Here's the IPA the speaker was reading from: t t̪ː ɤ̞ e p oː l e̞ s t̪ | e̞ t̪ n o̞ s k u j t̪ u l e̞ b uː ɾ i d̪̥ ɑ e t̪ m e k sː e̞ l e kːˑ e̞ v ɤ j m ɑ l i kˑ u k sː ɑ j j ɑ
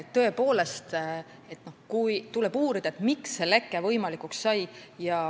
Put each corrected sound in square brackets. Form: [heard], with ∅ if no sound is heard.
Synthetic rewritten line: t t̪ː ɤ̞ e p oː l e̞ s t̪ | e̞ t̪ n o̞ [h] k u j t̪ u l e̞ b uː ɾ i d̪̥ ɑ e t̪ m [i] k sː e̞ l e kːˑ e̞ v ɤ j m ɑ l i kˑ u k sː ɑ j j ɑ

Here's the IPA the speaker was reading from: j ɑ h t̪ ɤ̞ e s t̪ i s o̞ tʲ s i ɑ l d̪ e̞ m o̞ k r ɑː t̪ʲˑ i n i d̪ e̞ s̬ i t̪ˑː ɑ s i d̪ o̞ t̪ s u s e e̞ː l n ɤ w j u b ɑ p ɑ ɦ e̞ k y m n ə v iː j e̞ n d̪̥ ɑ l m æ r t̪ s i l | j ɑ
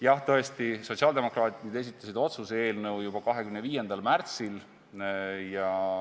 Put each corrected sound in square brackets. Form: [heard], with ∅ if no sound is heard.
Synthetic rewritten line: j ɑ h t̪ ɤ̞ e s t̪ i s o̞ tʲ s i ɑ l d̪ e̞ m o̞ k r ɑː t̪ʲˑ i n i d̪ e̞ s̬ i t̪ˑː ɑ s i d̪ o̞ t̪ s u s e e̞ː l n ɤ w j u b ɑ [k] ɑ ɦ e̞ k y m n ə v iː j e̞ n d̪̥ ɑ l m æ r t̪ s i l | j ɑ

